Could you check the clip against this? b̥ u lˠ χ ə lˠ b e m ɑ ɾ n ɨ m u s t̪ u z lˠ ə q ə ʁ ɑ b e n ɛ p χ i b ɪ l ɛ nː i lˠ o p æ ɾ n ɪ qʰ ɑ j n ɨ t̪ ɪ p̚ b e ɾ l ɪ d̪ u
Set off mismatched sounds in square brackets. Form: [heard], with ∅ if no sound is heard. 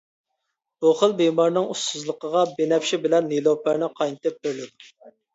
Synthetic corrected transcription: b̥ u [∅] χ ə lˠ b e m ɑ ɾ n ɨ [ŋ] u s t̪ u z lˠ ə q ə ʁ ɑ b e n ɛ p [ʃ] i b ɪ l ɛ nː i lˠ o p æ ɾ n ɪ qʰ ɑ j n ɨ t̪ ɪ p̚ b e ɾ l ɪ d̪ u